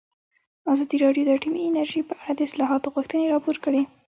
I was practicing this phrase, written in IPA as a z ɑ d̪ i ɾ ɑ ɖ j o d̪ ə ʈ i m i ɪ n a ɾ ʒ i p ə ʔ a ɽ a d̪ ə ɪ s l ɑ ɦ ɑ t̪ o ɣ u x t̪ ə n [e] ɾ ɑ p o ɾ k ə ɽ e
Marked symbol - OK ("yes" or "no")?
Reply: yes